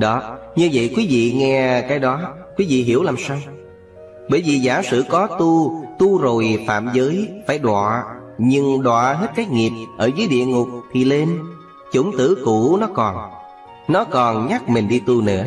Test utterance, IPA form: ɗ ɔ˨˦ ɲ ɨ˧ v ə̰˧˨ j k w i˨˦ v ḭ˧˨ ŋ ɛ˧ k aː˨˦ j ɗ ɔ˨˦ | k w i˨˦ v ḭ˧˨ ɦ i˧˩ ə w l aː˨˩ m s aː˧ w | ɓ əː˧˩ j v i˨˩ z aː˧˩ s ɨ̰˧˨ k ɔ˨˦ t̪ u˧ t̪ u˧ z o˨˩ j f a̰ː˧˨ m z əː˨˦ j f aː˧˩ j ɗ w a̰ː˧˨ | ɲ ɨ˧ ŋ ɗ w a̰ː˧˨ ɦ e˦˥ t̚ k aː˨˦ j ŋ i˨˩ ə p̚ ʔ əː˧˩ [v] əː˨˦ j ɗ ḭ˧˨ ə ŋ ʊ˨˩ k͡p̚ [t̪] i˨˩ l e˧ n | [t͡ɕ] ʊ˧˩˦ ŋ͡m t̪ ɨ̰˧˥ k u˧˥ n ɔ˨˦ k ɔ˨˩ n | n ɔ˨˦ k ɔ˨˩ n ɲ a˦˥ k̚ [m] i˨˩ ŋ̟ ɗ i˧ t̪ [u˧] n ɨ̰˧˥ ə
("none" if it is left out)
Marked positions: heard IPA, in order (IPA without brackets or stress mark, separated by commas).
z, t̪ʰ, t͡ɕ, m, u˧